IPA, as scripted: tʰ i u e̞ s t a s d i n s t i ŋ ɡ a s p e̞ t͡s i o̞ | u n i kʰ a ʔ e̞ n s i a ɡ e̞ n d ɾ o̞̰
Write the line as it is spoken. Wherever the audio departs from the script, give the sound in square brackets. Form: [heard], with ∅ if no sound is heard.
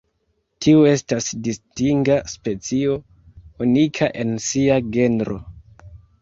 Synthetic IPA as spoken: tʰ i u e̞ s t a s d i [∅] s t i ŋ ɡ a s p e̞ t͡s i o̞ | u n i kʰ a ʔ e̞ n s i a ɡ e̞ n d ɾ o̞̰